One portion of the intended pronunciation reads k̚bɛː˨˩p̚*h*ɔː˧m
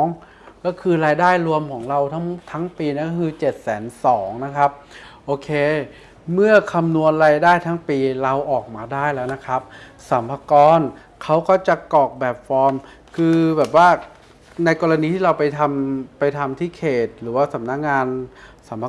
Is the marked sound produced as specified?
no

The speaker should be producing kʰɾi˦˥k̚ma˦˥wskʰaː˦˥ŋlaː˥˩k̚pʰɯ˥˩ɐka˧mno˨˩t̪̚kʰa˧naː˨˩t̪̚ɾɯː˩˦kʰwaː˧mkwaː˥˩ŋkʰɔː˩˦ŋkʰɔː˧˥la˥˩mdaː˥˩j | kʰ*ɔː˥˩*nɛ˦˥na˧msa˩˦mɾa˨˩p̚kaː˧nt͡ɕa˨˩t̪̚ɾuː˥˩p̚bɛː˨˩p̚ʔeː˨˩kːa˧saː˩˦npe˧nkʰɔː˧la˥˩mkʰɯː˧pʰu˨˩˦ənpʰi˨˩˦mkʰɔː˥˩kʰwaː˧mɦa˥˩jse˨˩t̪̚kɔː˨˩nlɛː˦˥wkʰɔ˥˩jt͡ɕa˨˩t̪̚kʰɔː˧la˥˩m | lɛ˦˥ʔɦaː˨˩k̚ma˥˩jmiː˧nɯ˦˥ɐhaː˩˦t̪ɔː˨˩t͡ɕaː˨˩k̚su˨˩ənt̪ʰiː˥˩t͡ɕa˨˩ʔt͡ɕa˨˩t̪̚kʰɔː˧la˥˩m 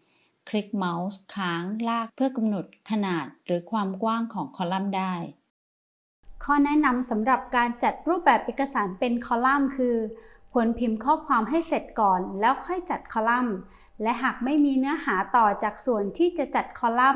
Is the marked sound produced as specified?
yes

